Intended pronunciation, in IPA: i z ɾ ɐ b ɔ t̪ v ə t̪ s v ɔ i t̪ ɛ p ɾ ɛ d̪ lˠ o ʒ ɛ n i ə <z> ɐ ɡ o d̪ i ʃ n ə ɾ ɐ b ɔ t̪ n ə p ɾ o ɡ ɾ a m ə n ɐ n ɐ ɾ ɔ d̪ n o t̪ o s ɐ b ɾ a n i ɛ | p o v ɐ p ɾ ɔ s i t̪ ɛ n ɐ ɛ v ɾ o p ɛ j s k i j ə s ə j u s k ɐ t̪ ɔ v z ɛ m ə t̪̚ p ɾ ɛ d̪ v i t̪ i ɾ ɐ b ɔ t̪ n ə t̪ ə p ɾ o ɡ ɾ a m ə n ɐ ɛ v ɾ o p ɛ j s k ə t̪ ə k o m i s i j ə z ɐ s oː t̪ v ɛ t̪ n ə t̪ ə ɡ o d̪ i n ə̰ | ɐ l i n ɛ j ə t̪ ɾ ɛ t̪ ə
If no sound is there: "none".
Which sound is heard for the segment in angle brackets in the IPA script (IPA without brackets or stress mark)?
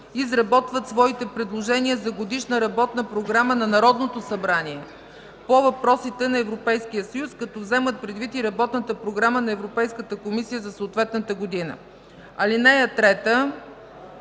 z